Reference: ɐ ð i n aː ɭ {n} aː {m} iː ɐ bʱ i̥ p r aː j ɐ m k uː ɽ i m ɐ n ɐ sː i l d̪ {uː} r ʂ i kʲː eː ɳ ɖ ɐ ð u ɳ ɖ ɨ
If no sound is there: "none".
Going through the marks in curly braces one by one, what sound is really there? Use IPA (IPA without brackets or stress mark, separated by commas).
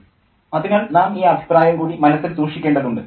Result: n, m, uː